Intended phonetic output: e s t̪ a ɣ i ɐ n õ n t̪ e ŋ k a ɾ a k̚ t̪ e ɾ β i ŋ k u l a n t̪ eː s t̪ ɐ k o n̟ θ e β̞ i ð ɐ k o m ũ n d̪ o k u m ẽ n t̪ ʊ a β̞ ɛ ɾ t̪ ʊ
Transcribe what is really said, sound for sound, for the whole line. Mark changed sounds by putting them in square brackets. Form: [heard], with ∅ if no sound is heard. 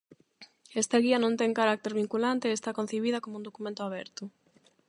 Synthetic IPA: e s t̪ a ɣ i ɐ n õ n t̪ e ŋ k a ɾ a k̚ t̪ e ɾ β i ŋ k u l a n t̪ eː s t̪ [a] k o n̟ θ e β̞ i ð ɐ k o m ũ n d̪ o k u m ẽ n t̪ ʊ a β̞ ɛ ɾ t̪ ʊ